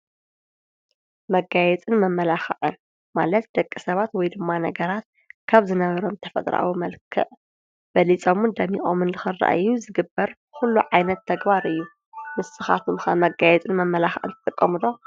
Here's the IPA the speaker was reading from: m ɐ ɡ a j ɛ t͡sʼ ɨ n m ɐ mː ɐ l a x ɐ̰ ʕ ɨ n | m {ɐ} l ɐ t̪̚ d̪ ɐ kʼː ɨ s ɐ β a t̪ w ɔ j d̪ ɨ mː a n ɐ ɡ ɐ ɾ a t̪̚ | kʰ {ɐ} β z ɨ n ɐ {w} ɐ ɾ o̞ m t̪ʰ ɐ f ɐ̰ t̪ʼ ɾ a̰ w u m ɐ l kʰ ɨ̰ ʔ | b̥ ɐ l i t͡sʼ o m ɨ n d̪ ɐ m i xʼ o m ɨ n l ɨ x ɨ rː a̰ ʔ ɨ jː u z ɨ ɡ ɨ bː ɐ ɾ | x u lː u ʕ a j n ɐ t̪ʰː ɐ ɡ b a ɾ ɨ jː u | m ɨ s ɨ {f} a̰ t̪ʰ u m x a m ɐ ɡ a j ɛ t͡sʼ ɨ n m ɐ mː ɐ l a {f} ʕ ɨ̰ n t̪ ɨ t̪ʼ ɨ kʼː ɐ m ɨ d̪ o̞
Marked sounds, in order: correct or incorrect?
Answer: incorrect, incorrect, incorrect, incorrect, incorrect

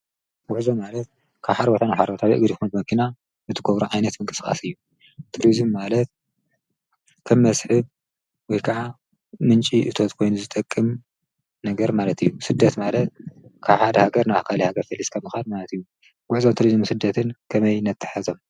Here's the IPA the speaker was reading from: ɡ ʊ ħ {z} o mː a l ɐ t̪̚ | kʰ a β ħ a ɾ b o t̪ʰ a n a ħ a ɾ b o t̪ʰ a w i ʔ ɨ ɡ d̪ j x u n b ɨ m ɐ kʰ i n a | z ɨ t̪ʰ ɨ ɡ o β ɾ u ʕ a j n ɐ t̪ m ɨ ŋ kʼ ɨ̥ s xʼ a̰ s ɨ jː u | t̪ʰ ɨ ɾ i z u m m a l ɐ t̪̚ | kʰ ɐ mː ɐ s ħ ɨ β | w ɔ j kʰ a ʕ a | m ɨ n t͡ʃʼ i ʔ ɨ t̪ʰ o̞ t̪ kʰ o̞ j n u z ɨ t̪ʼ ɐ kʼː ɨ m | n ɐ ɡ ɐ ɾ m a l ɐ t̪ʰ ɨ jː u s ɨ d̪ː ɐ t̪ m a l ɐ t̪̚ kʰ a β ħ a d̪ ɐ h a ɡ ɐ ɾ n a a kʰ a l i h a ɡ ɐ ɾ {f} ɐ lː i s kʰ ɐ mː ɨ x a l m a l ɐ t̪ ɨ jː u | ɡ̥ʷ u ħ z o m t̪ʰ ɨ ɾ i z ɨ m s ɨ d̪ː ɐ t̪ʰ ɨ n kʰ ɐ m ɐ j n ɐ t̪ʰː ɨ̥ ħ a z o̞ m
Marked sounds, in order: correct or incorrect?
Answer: correct, correct

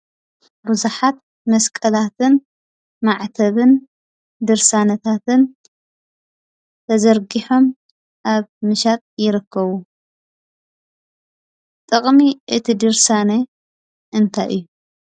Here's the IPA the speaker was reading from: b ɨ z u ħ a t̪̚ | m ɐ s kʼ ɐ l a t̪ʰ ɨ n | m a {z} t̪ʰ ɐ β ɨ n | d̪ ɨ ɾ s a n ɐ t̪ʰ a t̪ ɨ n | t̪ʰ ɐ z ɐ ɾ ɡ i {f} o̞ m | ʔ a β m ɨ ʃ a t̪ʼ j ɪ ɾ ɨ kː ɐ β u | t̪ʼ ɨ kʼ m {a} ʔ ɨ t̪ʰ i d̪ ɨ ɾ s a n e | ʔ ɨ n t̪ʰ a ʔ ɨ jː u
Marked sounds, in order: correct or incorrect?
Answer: incorrect, incorrect, incorrect

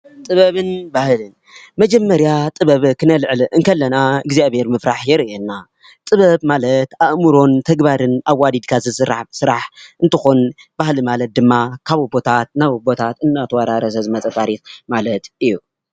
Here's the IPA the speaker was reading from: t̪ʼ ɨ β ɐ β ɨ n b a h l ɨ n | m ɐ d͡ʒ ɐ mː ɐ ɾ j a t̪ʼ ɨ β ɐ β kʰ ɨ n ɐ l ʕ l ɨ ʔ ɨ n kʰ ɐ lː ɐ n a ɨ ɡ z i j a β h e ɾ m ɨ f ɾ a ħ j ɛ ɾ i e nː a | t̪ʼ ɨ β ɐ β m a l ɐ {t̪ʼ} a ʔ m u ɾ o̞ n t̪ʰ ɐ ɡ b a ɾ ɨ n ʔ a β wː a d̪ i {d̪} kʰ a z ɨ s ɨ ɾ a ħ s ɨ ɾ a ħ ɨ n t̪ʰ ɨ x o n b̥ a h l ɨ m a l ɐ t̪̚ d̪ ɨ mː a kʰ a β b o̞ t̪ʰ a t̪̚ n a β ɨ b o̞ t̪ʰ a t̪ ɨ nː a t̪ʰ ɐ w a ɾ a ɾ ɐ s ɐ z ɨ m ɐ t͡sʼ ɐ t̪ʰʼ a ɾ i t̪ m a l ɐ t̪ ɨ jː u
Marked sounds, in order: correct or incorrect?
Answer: incorrect, correct

